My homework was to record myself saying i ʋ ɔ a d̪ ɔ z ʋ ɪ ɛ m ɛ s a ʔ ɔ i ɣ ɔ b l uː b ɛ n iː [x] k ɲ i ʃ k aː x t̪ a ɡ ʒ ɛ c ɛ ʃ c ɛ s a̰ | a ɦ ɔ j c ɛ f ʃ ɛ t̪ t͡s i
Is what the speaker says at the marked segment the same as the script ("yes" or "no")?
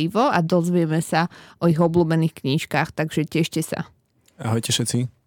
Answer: yes